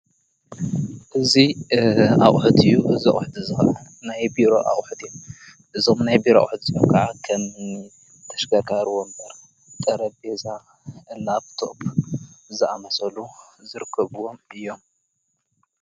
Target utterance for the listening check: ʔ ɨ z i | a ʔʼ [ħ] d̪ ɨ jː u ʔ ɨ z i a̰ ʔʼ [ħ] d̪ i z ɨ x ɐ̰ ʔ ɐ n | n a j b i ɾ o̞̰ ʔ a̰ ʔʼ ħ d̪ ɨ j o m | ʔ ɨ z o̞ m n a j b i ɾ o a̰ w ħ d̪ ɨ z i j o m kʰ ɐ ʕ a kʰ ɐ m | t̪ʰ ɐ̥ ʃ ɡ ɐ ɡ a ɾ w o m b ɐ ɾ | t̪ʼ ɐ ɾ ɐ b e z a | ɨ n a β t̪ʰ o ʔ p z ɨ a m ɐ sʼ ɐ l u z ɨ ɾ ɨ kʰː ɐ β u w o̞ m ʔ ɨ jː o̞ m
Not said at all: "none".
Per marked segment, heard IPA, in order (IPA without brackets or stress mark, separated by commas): ħ, ħ